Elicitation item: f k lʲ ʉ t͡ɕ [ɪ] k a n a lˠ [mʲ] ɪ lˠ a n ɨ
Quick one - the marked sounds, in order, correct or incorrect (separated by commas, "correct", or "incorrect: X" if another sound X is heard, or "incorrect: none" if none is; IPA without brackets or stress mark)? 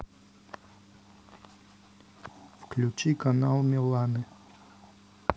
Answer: incorrect: i, correct